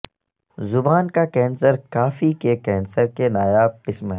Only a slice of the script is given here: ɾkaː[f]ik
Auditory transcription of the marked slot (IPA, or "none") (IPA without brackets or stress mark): f